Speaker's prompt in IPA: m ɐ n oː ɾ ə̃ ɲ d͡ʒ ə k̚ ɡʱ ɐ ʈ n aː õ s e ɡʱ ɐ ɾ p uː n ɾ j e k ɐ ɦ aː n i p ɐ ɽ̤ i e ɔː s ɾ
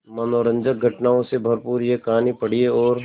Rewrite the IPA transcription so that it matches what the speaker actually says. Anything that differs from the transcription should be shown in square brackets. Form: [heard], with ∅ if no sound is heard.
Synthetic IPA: m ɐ n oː ɾ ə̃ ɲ d͡ʒ ə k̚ ɡʱ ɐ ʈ n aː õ s e [bʱ] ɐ ɾ p uː [∅] ɾ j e k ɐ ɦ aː n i p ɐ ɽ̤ i e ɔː [∅] ɾ